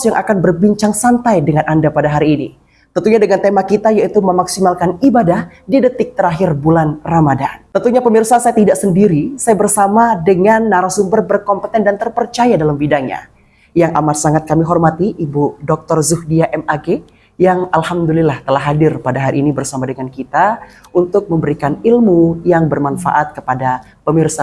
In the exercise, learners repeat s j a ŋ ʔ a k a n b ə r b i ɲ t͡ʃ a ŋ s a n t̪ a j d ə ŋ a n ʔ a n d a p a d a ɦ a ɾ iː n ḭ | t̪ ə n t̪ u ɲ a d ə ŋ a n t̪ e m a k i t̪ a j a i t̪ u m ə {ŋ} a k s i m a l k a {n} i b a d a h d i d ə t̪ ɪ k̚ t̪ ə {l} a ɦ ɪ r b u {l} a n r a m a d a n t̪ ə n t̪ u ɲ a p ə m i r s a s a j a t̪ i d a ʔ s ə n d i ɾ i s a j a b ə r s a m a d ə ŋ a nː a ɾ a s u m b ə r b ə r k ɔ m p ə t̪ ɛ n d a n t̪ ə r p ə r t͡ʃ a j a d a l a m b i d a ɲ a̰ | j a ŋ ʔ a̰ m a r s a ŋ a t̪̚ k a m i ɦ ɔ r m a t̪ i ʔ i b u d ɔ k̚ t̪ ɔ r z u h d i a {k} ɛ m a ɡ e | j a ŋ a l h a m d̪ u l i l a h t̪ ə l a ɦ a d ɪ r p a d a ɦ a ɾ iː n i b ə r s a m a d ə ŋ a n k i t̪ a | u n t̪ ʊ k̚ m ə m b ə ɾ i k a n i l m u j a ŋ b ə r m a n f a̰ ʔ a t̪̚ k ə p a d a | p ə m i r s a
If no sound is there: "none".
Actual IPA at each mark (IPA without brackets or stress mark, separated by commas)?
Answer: m, n, ɾ, l, ʔ